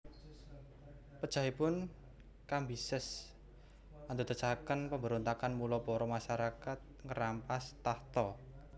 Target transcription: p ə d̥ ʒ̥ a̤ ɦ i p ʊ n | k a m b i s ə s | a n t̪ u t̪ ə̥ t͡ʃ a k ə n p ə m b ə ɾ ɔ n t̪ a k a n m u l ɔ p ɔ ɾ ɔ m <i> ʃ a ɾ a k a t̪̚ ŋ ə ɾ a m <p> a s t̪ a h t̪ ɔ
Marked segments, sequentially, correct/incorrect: incorrect: a, correct

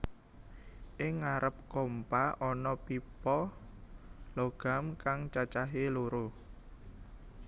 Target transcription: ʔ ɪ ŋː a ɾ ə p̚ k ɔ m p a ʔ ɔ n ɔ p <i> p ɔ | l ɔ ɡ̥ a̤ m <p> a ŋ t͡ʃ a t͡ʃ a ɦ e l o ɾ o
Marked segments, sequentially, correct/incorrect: correct, incorrect: k

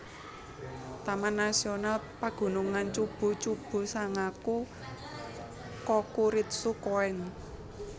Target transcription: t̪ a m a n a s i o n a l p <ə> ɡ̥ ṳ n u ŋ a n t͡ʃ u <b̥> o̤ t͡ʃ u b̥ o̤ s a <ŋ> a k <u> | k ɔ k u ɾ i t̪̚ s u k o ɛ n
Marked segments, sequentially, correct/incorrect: incorrect: a, correct, correct, correct

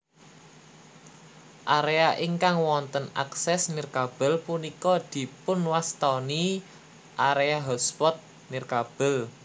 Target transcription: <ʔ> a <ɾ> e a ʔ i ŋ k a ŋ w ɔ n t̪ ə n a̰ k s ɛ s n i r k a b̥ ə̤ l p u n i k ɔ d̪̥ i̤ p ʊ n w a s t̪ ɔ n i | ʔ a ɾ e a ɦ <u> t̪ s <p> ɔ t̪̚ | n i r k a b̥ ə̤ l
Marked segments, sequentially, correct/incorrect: correct, correct, incorrect: ɔ, correct

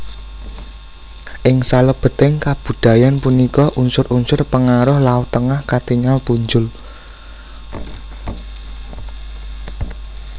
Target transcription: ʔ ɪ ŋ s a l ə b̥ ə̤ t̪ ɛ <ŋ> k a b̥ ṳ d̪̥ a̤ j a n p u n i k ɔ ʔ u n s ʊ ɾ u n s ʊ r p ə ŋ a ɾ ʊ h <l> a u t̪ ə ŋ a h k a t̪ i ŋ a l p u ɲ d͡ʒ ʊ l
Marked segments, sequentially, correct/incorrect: correct, correct

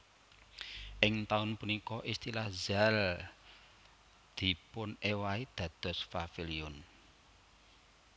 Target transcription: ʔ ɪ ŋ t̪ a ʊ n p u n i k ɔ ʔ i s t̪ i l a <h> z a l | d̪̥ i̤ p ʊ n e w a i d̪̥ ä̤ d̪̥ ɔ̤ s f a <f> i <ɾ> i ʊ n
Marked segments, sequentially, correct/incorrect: correct, correct, incorrect: l

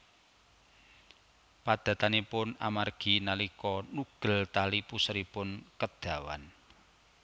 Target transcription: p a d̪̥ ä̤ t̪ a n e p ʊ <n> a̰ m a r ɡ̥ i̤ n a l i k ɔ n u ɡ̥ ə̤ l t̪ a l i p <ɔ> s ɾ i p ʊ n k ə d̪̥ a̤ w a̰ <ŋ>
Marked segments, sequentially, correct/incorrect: correct, incorrect: u, incorrect: n

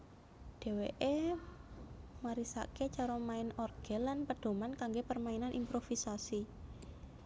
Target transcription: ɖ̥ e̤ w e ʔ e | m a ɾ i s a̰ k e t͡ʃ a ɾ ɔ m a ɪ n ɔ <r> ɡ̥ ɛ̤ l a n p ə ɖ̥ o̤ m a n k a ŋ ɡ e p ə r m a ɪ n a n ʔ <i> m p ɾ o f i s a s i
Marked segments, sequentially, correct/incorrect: correct, correct

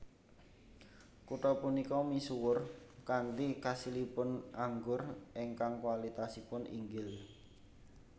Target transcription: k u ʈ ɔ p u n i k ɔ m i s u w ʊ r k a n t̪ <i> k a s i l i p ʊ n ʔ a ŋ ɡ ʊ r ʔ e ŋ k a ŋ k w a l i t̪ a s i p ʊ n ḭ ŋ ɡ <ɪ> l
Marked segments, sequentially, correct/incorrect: correct, correct

